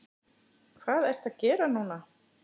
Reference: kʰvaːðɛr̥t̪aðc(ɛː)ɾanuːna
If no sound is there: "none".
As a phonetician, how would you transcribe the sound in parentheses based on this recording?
ɛː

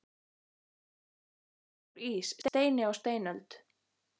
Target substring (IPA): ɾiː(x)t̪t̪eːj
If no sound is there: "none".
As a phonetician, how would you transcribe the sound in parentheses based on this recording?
s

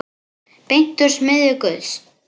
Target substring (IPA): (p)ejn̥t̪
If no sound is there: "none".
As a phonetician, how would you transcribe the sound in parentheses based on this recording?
p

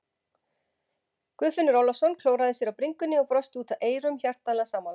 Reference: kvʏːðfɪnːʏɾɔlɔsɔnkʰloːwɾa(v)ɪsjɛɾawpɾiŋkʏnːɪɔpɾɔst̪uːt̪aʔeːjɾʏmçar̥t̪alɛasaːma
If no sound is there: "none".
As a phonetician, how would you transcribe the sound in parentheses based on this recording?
ð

